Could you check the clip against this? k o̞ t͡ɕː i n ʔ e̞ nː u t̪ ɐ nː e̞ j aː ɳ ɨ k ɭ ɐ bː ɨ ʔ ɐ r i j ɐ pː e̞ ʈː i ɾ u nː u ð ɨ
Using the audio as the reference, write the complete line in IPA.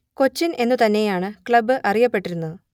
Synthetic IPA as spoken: k o̞ t͡ɕː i n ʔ e̞ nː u t̪ ɐ nː e̞ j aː ɳ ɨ k ɭ ɐ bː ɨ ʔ ɐ r i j ɐ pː e̞ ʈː i ɾ u nː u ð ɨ